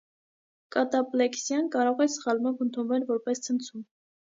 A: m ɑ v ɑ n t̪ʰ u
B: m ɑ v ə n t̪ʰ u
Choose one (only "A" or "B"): B